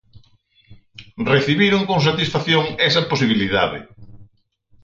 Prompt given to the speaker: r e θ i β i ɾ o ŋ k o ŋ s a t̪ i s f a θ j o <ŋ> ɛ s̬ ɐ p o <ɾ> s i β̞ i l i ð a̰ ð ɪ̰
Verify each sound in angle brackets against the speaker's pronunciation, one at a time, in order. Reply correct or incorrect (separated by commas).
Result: correct, incorrect